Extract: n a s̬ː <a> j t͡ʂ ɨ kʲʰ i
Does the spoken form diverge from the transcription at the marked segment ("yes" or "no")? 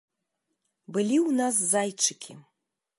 no